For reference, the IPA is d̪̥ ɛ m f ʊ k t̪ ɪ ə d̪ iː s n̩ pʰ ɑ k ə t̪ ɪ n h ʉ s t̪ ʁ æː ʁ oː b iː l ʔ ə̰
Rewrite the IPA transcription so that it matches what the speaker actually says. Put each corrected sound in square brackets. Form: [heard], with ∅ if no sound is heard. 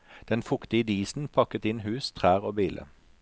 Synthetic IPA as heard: d̪̥ ɛ [n] f ʊ k t̪ ɪ ə d̪ iː s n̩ pʰ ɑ k ə t̪ ɪ n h [ʉː] s [t̪ʰ] ʁ æː ʁ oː b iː l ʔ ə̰